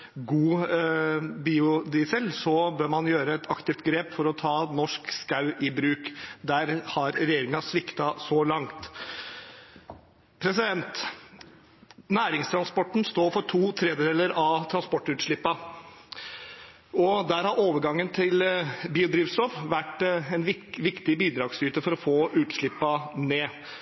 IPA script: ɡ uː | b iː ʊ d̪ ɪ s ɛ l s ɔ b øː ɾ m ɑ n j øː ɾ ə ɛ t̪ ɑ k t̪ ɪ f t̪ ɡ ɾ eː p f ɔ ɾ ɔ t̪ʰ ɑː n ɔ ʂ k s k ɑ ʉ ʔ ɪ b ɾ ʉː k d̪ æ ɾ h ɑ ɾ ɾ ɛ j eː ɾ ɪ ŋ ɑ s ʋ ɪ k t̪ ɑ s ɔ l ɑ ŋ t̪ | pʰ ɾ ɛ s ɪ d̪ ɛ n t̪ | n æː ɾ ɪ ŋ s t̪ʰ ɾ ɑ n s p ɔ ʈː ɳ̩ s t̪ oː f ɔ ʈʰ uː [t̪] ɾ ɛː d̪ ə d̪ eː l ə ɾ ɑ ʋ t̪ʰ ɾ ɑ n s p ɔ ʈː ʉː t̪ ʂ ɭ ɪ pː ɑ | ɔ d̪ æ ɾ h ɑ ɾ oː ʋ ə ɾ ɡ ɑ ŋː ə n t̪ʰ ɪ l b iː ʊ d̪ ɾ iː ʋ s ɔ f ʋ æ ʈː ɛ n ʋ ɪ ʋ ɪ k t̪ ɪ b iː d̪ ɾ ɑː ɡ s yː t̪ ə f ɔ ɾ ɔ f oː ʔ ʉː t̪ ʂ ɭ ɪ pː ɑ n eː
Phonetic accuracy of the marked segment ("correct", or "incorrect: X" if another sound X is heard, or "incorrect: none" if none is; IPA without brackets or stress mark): incorrect: t̪ʰ